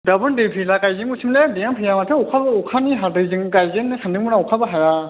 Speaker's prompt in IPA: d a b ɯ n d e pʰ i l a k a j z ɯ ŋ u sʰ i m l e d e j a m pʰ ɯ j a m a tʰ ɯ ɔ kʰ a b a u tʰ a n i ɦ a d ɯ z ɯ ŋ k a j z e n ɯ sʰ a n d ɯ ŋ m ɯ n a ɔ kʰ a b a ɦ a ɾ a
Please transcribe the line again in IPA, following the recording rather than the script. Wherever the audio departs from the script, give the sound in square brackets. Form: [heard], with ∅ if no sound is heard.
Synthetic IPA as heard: d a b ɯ n d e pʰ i l a k a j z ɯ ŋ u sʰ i m l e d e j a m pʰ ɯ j a m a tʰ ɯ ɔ kʰ a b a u [kʰ] a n i ɦ a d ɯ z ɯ ŋ k a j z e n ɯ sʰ a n d ɯ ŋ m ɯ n a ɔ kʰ a b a ɦ a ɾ a